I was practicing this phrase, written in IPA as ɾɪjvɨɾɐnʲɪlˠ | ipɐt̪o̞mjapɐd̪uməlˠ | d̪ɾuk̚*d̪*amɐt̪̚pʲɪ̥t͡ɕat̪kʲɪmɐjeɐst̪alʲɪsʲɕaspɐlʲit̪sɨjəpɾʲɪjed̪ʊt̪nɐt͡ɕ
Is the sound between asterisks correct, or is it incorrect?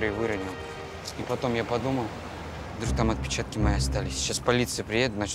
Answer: incorrect